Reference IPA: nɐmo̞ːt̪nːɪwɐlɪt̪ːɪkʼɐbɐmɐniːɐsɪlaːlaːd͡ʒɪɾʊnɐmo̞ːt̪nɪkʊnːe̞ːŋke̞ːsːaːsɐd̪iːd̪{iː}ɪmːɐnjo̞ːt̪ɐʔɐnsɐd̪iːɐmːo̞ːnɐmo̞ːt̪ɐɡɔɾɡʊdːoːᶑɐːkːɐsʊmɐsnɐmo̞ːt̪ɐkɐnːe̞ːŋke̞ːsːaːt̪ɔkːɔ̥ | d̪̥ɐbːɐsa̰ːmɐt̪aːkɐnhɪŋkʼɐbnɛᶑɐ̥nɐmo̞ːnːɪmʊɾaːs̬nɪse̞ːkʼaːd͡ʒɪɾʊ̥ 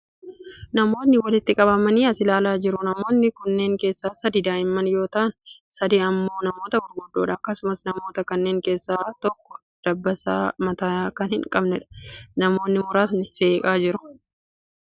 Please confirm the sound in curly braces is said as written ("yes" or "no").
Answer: no